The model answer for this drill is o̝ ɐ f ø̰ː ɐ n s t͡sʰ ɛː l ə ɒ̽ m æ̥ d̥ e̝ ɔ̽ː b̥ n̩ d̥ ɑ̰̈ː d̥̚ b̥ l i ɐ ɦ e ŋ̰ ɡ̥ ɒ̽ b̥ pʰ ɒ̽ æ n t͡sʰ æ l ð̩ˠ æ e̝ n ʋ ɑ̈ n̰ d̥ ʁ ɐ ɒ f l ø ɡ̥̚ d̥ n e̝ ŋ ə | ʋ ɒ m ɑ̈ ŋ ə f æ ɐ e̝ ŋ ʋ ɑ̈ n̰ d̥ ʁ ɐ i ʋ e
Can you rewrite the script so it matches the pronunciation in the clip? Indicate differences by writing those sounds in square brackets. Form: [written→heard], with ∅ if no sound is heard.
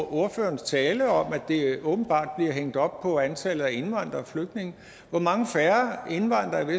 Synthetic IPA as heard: o̝ ɐ f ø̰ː ɐ n s t͡sʰ ɛː l ə ɒ̽ m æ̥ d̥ e̝ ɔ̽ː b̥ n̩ [d̥→b̥] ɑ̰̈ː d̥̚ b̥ l i ɐ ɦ e ŋ̰ [ɡ̥→d̥] ɒ̽ b̥ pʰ ɒ̽ æ n t͡sʰ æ l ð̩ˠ æ e̝ n ʋ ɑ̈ n̰ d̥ ʁ ɐ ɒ f l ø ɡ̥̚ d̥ n e̝ ŋ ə | ʋ ɒ m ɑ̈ ŋ ə f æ ɐ e̝ [ŋ→n] ʋ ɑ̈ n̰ d̥ ʁ ɐ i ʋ e

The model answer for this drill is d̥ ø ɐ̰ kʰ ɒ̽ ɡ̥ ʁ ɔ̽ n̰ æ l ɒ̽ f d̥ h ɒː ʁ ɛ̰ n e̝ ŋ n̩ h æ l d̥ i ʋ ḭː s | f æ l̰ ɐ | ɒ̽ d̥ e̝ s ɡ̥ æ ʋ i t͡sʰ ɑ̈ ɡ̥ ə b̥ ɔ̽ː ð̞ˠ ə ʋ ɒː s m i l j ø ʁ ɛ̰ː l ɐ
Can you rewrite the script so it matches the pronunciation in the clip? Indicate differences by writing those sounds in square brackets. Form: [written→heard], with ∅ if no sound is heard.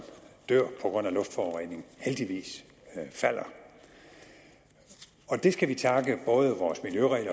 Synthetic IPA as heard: d̥ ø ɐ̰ [kʰ→pʰ] ɒ̽ ɡ̥ ʁ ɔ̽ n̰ æ l [ɒ̽→ɔ̽] f d̥ [h→f] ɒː ʁ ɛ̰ n e̝ ŋ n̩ h [æ→e] l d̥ i ʋ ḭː s | f æ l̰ ɐ | ɒ̽ d̥ e̝ s ɡ̥ æ ʋ i t͡sʰ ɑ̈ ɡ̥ ə b̥ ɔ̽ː ð̞ˠ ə ʋ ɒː s m i l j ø ʁ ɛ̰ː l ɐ

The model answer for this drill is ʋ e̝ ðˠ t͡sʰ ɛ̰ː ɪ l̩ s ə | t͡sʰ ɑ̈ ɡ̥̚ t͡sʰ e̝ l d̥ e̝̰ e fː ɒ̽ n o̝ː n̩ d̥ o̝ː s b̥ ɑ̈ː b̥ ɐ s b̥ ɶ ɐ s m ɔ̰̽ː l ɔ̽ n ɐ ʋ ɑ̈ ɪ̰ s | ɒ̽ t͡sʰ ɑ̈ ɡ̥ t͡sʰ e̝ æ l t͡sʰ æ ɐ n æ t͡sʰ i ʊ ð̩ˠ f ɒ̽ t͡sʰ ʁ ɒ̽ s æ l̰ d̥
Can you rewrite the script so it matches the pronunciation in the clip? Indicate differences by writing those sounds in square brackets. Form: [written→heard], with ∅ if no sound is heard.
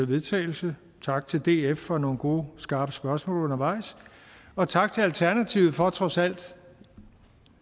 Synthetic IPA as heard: ʋ e̝ ðˠ t͡sʰ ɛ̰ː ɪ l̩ s ə | t͡sʰ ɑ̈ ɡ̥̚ t͡sʰ e̝ l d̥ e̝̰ e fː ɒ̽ n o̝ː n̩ [d̥→ɡ̥] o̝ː s [b̥→ɡ̥] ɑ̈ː b̥ [ɐ→ə] s b̥ ɶ ɐ s m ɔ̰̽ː l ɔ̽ n ɐ ʋ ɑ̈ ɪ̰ s | ɒ̽ t͡sʰ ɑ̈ ɡ̥ t͡sʰ e̝ æ l t͡sʰ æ ɐ n æ t͡sʰ i ʊ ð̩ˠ f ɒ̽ t͡sʰ ʁ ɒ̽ s æ l̰ d̥

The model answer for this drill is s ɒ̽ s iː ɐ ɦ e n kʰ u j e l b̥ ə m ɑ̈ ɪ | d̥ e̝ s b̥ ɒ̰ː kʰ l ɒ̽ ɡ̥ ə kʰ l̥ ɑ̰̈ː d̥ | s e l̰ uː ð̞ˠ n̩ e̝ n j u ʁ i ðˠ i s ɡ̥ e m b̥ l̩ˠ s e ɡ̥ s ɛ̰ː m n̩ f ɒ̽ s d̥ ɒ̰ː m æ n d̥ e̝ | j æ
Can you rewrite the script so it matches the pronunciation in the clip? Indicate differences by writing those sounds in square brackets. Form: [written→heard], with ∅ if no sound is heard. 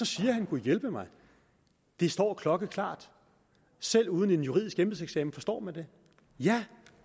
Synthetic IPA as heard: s ɒ̽ s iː ɐ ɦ [e→æ] n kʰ u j e l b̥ ə m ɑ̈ ɪ | d̥ e̝ s [b̥→d̥] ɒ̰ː kʰ l ɒ̽ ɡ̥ ə kʰ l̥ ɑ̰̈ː d̥ | s e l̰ uː ð̞ˠ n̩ e̝ n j u ʁ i ðˠ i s ɡ̥ e m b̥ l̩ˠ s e ɡ̥ s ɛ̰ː m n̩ f ɒ̽ s d̥ ɒ̰ː m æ n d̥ e̝ | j æ

